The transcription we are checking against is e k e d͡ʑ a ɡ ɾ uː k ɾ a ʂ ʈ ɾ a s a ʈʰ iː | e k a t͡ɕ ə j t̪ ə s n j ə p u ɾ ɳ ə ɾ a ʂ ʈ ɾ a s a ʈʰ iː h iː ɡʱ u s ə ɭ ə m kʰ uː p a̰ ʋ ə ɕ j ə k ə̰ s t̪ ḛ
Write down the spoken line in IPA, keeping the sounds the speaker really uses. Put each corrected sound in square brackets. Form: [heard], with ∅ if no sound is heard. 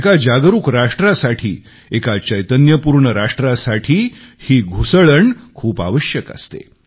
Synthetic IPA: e k [a] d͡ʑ a ɡ ɾ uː k ɾ a ʂ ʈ ɾ a s a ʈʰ iː | e k a t͡ɕ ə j t̪ ə [∅] n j ə p u ɾ ɳ ə ɾ a ʂ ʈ ɾ a s a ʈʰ iː h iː ɡʱ u s ə ɭ ə [ɳ] kʰ uː p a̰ ʋ ə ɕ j ə k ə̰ s t̪ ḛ